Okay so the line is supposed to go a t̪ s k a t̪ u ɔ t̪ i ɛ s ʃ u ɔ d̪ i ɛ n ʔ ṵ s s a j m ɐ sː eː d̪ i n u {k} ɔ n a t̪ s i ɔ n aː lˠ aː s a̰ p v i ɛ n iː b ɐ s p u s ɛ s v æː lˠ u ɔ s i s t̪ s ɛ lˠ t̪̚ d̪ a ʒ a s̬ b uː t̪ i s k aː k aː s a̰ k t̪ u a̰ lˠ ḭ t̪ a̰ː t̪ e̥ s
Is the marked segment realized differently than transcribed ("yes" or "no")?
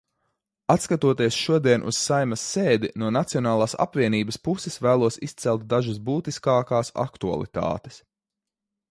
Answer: yes